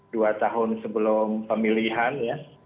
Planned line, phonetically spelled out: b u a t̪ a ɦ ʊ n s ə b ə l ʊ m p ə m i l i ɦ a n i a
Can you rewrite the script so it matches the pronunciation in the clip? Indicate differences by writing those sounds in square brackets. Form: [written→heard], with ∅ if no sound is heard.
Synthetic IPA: [b→d] u a t̪ a ɦ ʊ n s ə b ə l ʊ m p ə m i l i ɦ a n [i→j] a